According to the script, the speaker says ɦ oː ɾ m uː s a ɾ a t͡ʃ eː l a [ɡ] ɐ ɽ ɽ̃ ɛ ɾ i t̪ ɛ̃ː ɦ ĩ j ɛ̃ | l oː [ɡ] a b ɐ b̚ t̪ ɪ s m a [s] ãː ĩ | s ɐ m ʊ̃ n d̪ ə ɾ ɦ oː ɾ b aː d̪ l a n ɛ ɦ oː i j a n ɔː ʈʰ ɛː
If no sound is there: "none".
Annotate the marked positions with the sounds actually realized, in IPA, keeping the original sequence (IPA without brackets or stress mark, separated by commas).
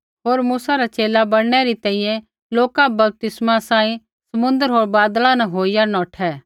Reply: b, k, s